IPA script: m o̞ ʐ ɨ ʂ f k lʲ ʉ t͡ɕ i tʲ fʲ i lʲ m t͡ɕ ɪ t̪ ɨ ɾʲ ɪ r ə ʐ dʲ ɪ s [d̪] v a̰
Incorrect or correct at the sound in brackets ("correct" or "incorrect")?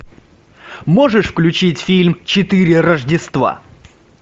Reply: incorrect